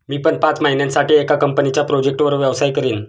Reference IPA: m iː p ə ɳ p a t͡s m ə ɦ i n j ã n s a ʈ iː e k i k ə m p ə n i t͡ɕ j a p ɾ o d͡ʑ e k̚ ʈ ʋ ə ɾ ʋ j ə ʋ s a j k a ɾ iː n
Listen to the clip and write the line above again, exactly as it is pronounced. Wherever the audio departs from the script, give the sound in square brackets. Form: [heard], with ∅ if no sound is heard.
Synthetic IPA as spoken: m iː p ə ɳ p a t͡s m ə ɦ i n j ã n s a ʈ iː e k [a] k ə m p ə n i t͡ɕ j a p ɾ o d͡ʑ e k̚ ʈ ʋ ə ɾ ʋ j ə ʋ s a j k [ə] ɾ iː n